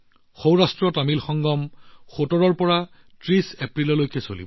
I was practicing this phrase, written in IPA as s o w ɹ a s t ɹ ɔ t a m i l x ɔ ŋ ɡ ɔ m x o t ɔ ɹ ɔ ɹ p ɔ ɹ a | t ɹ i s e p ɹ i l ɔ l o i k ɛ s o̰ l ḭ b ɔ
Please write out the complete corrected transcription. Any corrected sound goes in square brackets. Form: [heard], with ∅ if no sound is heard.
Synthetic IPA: [x] o w ɹ a s t ɹ ɔ t a m i l x ɔ ŋ ɡ ɔ m x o t ɔ ɹ ɔ ɹ p ɔ ɹ a | t ɹ i s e p ɹ i l ɔ l o [j] k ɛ s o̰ l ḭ b ɔ